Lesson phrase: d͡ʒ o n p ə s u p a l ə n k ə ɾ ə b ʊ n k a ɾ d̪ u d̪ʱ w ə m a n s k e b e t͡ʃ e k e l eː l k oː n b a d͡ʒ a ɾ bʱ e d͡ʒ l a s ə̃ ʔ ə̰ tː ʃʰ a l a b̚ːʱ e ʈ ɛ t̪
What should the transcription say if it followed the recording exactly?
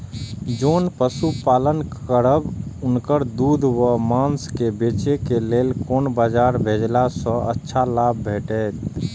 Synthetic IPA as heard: d͡ʒ o n p ə s u p a l ə n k ə ɾ ə b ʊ n k ə ɾ d̪ u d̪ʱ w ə m a n s k e b e t͡ʃ e k e l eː l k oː n b a d͡ʒ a ɾ bʱ e d͡ʒ l a s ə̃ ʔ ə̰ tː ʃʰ a l a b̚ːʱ e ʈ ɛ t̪